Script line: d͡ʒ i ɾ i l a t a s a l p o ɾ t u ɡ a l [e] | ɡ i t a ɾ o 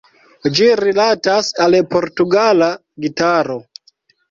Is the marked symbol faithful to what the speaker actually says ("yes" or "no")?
no